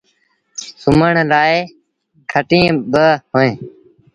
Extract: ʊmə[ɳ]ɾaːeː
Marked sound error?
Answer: no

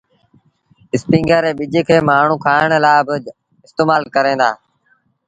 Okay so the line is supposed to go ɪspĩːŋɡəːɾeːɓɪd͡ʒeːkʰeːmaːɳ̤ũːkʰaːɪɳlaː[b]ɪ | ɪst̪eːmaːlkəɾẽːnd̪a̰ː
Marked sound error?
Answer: no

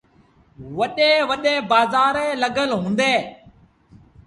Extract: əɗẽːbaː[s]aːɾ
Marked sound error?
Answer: yes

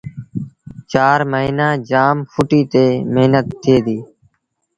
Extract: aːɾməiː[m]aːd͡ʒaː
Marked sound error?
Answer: yes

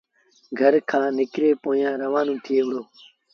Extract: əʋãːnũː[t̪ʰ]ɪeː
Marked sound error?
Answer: no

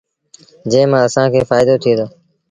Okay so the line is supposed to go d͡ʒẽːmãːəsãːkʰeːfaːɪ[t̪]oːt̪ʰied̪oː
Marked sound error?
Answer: yes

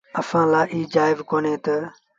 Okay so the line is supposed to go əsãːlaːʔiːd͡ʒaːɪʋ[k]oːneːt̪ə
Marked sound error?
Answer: no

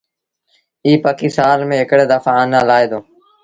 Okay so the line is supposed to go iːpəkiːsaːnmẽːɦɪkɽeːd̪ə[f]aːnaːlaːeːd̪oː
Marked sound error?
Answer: no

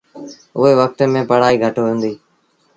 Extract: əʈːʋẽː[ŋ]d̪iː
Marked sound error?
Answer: yes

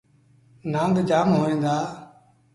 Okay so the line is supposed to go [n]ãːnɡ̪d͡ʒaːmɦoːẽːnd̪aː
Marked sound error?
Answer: no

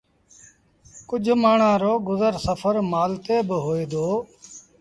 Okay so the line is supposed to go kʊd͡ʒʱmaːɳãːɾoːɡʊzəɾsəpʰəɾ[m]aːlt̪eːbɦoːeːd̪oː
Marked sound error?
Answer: no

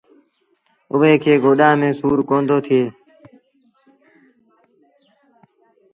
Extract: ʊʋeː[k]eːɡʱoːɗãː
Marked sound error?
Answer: yes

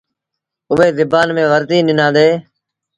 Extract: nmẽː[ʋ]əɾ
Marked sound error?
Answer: no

